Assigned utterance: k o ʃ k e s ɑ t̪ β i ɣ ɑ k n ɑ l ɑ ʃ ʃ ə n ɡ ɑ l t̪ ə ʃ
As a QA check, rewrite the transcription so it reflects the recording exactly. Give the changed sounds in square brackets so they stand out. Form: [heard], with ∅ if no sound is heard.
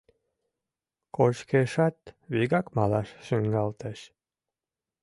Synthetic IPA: k o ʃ k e [ʃ] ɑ t̪ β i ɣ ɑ k [m] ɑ l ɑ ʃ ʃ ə [ŋ] ɡ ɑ l t̪ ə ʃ